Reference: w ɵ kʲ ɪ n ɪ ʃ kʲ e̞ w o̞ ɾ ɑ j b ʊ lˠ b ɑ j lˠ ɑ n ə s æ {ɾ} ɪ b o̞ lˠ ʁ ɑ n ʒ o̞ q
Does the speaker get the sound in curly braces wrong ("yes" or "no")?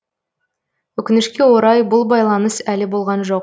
yes